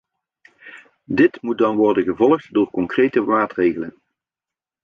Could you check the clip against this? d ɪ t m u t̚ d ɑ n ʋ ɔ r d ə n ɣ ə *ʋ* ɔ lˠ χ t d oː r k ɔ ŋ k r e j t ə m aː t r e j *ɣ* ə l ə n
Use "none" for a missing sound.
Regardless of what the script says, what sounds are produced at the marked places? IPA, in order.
v, ɣ

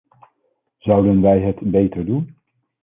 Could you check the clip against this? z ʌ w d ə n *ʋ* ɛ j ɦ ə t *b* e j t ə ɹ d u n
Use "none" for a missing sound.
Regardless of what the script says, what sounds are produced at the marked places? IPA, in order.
ʋ, b

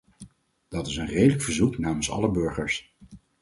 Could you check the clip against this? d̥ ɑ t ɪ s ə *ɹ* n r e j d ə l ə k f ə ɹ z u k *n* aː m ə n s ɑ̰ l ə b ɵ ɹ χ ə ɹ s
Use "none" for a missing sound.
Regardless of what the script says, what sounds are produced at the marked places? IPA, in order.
none, n

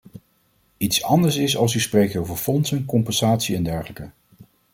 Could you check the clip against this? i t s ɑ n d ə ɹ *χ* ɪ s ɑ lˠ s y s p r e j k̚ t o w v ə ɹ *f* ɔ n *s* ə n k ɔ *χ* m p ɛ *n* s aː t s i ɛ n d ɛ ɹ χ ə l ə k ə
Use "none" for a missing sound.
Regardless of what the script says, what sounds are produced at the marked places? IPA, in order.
s, f, s, none, n

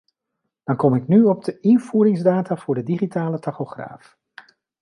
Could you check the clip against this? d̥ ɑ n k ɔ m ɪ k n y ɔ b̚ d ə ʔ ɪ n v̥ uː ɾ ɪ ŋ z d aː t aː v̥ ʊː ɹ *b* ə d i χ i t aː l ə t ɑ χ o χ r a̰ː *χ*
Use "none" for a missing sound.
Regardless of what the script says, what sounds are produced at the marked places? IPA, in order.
d, f

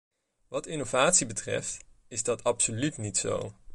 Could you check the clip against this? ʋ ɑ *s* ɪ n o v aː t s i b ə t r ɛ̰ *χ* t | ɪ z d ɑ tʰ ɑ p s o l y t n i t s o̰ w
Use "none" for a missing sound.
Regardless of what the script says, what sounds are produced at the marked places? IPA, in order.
t, f

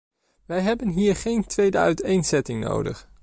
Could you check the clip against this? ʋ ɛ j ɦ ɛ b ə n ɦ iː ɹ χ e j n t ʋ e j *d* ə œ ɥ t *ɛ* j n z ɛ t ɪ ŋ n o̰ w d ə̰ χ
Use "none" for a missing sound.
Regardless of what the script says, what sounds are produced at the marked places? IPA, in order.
d, e

